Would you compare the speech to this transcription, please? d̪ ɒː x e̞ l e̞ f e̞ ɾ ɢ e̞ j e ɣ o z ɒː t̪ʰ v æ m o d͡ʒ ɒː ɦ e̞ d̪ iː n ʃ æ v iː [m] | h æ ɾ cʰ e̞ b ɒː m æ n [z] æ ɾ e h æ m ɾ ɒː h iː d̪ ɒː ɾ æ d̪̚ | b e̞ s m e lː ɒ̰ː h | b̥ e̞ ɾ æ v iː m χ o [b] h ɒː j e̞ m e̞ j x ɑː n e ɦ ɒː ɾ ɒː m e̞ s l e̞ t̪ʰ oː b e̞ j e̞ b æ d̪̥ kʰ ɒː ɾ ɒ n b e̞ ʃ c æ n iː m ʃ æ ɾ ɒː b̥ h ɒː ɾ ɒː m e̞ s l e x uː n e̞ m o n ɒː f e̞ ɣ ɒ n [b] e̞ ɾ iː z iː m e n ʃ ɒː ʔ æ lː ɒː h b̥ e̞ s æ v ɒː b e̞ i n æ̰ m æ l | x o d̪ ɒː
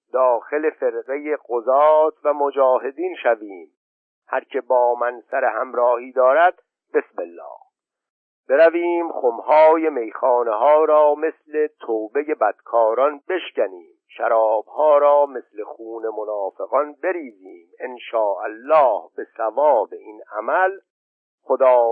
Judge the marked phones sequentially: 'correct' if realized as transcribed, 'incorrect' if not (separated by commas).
correct, incorrect, incorrect, correct